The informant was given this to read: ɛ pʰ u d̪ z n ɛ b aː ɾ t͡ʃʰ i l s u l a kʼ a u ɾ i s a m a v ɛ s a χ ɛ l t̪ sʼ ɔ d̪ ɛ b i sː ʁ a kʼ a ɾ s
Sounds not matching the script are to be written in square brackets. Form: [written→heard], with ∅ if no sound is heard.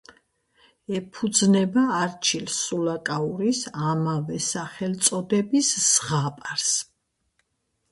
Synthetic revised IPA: ɛ pʰ u d̪ z n ɛ b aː ɾ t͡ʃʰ i l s u l a kʼ a u ɾ i s a m a v ɛ s a χ ɛ l t̪ sʼ ɔ d̪ ɛ b i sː ʁ a [kʼ→pʼ] a ɾ s

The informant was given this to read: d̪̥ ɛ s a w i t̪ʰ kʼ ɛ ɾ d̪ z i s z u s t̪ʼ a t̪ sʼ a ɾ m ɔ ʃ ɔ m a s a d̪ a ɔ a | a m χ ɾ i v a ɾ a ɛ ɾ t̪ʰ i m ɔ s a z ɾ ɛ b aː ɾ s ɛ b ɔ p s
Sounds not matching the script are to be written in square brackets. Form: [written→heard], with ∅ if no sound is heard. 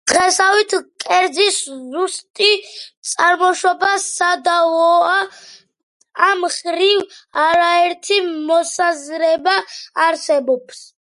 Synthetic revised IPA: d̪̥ ɛ s a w i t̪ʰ kʼ ɛ ɾ d̪ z i s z u s t̪ʼ [a→i] t̪ sʼ a ɾ m ɔ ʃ ɔ [m→b] a s a d̪ a ɔ a | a m χ ɾ i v a ɾ a ɛ ɾ t̪ʰ i m ɔ s a z ɾ ɛ b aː ɾ s ɛ b ɔ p s

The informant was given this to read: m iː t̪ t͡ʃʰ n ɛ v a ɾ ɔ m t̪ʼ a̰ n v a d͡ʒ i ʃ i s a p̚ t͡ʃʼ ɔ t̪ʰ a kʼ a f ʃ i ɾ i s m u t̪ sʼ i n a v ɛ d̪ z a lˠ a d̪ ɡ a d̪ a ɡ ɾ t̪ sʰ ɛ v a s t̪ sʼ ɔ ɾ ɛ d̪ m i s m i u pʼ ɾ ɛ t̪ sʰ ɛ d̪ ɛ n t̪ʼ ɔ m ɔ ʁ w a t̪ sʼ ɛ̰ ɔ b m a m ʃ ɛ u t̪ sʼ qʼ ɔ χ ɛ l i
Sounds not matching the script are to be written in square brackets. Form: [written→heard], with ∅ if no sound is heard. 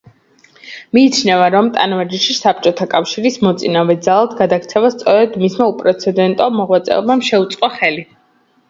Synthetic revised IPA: m iː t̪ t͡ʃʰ n ɛ v a ɾ ɔ m t̪ʼ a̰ n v a d͡ʒ i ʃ i s a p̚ t͡ʃʼ ɔ t̪ʰ a kʼ a f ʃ i ɾ i s m [u→ɔ] t̪ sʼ i n a v ɛ d̪ z a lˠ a d̪ ɡ a d̪ a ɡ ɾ t̪ sʰ ɛ v a s t̪ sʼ ɔ ɾ ɛ d̪ m i s m [i→a] u pʼ ɾ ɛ t̪ sʰ ɛ d̪ ɛ n t̪ʼ ɔ m ɔ ʁ w a t̪ sʼ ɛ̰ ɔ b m a m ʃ ɛ u t̪ sʼ qʼ ɔ χ ɛ l i

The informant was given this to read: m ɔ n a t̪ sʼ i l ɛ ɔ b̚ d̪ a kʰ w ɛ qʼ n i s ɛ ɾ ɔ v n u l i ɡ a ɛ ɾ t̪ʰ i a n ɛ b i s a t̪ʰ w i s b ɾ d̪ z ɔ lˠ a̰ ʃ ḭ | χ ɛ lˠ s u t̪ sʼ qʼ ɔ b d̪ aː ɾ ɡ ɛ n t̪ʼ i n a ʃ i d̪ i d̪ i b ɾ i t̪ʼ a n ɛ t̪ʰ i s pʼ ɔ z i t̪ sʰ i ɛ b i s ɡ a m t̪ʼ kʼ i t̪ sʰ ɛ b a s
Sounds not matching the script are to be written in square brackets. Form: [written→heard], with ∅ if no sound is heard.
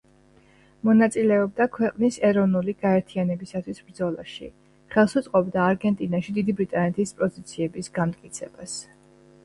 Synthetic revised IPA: m ɔ n a t̪ sʼ i l ɛ ɔ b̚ d̪ a kʰ w ɛ qʼ n i s ɛ ɾ ɔ v n u l i ɡ a ɛ ɾ t̪ʰ i a n ɛ b i s a t̪ʰ w i s b ɾ d̪ z ɔ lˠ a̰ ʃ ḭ | χ ɛ lˠ s u t̪ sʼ qʼ ɔ b d̪ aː ɾ ɡ ɛ n t̪ʼ i n a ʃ i d̪ i d̪ i b ɾ i t̪ʼ a n ɛ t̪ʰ i s pʼ ɔ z i t̪ sʰ i ɛ b i s ɡ a m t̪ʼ kʼ i t̪ sʰ ɛ b a s

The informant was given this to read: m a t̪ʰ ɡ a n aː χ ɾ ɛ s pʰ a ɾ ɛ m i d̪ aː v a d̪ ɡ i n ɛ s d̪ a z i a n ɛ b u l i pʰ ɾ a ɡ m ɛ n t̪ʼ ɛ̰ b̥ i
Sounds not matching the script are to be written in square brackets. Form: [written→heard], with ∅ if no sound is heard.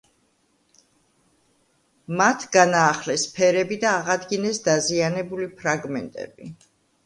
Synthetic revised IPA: m a t̪ʰ ɡ a n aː χ [ɾ→l] ɛ s pʰ [a→ɛ] ɾ ɛ [m→b] i d̪ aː [v→ʁ] a d̪ ɡ i n ɛ s d̪ a z i a n ɛ b u l i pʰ ɾ a ɡ m ɛ n t̪ʼ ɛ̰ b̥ i

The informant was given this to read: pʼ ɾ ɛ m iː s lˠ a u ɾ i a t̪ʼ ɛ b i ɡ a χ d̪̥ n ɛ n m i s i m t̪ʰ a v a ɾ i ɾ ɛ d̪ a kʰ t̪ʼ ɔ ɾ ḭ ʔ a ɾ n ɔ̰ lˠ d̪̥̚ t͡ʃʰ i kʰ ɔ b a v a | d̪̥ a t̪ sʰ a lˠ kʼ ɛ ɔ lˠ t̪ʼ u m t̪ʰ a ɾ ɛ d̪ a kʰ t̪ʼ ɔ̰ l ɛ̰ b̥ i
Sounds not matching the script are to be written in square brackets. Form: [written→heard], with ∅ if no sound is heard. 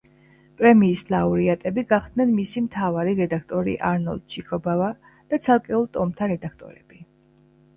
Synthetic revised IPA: pʼ ɾ ɛ m iː s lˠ a u ɾ i a t̪ʼ ɛ b i ɡ a χ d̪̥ n ɛ n m i s i m t̪ʰ a v a ɾ i ɾ ɛ d̪ a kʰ t̪ʼ ɔ ɾ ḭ ʔ a ɾ n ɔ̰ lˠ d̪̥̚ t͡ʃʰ i kʰ ɔ b a v a | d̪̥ a t̪ sʰ a lˠ kʼ ɛ [ɔ→u] lˠ t̪ʼ [u→ɔ] m t̪ʰ a ɾ ɛ d̪ a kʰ t̪ʼ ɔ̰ [l→ɾ] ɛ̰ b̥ i

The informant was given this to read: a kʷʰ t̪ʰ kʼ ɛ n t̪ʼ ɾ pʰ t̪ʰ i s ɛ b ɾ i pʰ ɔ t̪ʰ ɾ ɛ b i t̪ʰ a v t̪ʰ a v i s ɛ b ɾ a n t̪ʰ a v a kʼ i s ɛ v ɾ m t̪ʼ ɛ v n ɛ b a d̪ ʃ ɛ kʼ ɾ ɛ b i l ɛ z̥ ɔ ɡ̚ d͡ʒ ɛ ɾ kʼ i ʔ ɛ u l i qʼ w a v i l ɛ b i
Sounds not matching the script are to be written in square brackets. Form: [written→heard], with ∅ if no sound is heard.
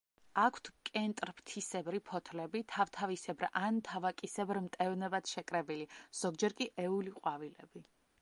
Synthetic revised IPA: a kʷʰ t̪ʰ kʼ ɛ n t̪ʼ ɾ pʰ t̪ʰ i s ɛ b ɾ i pʰ ɔ t̪ʰ [ɾ→l] ɛ b i t̪ʰ a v t̪ʰ a v i s ɛ b ɾ a n t̪ʰ a v a kʼ i s ɛ [v→b] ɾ m t̪ʼ ɛ v n ɛ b a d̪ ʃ ɛ kʼ ɾ ɛ b i l [ɛ→i] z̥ ɔ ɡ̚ d͡ʒ ɛ ɾ kʼ i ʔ ɛ u l i qʼ w a v i l ɛ b i

